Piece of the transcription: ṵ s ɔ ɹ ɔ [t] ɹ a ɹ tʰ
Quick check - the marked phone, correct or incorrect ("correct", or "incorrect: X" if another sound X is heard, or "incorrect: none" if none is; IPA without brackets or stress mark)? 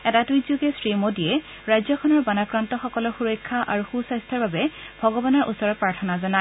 incorrect: p